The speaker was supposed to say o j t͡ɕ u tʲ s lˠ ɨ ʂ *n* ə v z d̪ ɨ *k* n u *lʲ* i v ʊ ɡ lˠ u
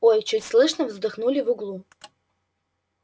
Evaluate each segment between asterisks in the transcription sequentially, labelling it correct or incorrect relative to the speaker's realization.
correct, incorrect: x, correct

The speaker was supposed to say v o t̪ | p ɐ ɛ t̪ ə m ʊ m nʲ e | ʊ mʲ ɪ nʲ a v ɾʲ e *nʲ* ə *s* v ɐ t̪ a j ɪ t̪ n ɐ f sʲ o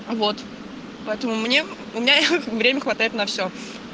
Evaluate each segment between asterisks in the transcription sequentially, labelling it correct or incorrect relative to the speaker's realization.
incorrect: mʲ, incorrect: x

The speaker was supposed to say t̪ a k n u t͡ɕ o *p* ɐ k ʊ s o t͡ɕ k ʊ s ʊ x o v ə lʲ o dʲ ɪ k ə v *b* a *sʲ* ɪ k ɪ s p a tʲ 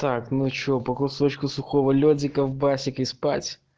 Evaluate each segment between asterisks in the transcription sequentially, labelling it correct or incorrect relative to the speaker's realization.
correct, correct, correct

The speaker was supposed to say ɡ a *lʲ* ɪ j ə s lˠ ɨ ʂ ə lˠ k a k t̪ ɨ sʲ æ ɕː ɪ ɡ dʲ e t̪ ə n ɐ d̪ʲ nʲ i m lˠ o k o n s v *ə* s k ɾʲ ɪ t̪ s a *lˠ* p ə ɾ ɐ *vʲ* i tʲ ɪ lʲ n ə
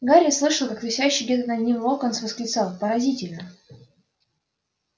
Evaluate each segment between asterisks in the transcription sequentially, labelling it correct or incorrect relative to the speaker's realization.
incorrect: ɾʲ, correct, correct, incorrect: zʲ

